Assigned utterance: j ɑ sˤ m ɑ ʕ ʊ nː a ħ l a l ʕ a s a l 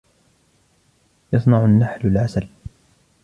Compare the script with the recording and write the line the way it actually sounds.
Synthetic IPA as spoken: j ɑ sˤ n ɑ ʕ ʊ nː a ħ l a l ʕ a s a l